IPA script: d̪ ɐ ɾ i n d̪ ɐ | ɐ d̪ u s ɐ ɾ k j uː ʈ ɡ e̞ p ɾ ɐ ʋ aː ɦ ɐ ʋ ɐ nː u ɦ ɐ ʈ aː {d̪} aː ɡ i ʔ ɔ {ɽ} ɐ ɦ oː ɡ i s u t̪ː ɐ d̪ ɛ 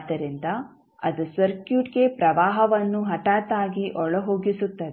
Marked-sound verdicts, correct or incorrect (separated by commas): incorrect, incorrect